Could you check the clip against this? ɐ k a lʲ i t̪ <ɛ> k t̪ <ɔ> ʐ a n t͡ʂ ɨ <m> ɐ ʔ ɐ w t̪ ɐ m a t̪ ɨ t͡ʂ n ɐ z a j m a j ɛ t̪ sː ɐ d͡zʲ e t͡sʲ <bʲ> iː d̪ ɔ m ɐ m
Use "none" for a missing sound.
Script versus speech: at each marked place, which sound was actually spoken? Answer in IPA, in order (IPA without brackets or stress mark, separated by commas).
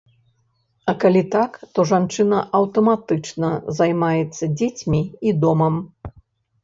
a, ɔ, n, mʲ